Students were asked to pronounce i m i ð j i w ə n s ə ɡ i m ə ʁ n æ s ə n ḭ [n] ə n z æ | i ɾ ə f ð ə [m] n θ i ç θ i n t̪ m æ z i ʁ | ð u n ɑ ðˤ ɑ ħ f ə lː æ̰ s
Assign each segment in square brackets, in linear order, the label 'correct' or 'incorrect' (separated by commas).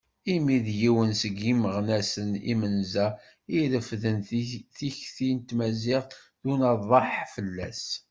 incorrect, incorrect